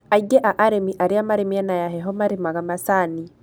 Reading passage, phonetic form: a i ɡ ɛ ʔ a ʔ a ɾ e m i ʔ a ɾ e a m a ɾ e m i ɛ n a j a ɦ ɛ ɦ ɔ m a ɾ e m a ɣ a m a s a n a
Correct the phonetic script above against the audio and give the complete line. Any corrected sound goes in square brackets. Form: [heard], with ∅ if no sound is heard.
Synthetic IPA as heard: a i ɡ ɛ ʔ a ʔ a ɾ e m i ʔ a ɾ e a m a ɾ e m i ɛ n a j a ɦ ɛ ɦ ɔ m a ɾ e m a ɣ a m a s a n [i]